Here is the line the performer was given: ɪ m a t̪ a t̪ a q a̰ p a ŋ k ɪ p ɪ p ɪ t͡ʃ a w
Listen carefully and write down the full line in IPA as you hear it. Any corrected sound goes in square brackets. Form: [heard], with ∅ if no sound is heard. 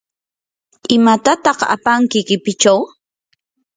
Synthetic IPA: ɪ m a t̪ a t̪ [ɑ] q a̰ p a ŋ k ɪ [k] ɪ p ɪ t͡ʃ a w